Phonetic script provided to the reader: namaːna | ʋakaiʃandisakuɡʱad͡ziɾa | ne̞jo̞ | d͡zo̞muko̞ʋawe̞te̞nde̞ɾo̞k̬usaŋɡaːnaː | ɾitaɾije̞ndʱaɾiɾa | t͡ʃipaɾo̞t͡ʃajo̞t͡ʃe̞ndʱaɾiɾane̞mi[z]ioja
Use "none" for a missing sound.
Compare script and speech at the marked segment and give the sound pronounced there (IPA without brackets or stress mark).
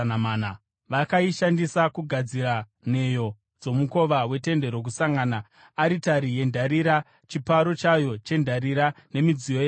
d͡z